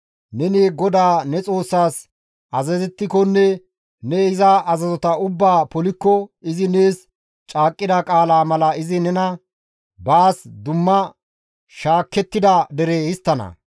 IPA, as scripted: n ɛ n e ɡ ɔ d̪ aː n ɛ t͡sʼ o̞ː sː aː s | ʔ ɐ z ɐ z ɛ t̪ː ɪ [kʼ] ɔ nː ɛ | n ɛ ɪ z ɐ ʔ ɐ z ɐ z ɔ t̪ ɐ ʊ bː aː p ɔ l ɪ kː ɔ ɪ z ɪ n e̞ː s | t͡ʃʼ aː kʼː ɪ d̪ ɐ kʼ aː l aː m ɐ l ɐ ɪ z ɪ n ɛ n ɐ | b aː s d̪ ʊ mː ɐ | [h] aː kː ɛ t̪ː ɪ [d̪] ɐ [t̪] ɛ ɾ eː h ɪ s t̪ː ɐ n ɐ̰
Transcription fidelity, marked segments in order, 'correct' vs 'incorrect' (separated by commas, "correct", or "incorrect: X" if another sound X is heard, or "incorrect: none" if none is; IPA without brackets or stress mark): incorrect: k, incorrect: ʃ, correct, incorrect: d̪